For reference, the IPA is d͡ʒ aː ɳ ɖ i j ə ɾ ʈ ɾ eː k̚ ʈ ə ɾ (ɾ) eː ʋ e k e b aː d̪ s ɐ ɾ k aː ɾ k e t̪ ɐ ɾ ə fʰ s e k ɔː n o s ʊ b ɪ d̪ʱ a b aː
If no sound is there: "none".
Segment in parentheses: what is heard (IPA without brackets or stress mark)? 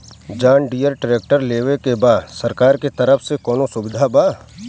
l